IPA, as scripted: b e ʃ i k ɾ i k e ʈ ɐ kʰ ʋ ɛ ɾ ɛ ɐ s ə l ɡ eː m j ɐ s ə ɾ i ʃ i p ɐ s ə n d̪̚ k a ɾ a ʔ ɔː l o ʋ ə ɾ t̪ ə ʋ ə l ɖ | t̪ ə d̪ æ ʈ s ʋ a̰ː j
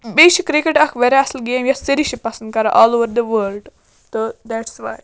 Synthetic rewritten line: b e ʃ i k ɾ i k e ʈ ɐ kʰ ʋ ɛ ɾ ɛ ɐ s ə l ɡ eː m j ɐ s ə ɾ i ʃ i p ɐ s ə n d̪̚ k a ɾ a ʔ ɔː l o ʋ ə ɾ d̪ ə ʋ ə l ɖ | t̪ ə d̪ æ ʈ s ʋ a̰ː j